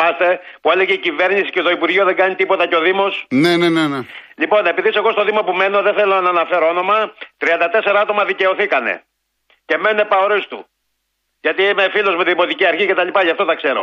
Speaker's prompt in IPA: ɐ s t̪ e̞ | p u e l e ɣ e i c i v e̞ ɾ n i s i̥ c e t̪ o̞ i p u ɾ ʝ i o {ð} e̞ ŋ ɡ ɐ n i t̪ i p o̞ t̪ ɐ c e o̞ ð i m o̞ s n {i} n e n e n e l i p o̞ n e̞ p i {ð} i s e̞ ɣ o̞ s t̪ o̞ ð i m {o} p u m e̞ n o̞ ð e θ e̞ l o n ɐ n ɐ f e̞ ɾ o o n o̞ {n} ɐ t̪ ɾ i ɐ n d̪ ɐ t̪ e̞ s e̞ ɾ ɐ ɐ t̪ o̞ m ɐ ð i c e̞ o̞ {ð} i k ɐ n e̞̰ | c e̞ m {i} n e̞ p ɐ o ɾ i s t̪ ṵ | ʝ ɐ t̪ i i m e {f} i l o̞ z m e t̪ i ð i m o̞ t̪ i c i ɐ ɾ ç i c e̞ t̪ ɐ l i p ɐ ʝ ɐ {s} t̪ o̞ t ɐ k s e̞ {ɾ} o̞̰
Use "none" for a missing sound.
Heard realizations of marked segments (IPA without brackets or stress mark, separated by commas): ð, e, ð, o, m, θ, e, f, f, ɾ